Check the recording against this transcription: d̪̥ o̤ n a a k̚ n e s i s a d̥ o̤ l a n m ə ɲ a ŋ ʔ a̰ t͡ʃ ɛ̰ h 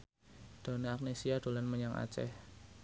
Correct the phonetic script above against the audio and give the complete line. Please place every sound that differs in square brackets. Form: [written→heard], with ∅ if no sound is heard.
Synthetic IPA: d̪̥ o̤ n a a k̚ n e s i [s→∅] a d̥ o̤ l a n m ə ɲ a ŋ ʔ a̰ t͡ʃ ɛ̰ h